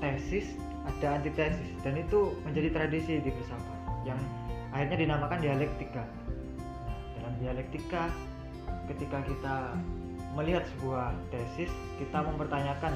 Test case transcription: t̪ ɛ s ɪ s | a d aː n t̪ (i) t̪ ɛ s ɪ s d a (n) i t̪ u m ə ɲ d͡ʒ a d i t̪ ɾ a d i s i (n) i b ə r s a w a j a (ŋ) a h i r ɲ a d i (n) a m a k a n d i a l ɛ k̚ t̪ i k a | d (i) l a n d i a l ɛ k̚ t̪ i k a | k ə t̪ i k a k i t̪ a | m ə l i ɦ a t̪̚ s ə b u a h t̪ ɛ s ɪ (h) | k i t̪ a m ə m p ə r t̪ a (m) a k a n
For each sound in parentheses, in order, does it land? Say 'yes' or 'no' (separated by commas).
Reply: yes, yes, no, yes, yes, no, no, no